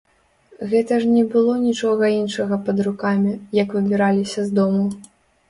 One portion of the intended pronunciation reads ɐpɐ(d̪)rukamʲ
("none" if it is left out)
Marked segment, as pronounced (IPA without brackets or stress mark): d̪